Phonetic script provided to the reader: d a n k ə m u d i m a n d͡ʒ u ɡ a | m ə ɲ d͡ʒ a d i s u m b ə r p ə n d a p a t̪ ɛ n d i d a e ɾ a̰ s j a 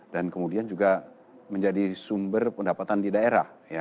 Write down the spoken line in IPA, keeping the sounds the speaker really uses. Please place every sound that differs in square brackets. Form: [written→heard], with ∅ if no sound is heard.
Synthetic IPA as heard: d a n k ə m u d i [m→∅] a n d͡ʒ u ɡ a | m ə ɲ d͡ʒ a d i s u m b ə r p ə n d a p a t̪ [ɛ→a] n d i d a e ɾ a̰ [s→h] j a